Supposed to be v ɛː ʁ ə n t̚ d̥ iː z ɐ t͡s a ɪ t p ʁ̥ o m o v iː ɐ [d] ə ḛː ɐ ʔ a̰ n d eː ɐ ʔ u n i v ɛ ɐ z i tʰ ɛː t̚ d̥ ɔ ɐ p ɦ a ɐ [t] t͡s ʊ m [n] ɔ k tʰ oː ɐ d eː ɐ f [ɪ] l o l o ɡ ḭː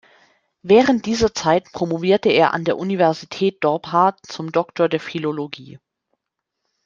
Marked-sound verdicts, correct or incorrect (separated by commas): incorrect, correct, incorrect, incorrect